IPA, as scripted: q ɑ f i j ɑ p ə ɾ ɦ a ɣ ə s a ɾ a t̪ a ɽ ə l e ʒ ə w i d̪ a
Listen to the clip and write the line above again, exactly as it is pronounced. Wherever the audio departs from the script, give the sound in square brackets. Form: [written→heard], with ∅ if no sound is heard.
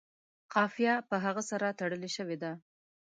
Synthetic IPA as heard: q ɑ f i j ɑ p ə [ɾ→∅] ɦ a ɣ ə s a ɾ a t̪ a ɽ ə l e [ʒ→ʃ] ə w [i→e] d̪ a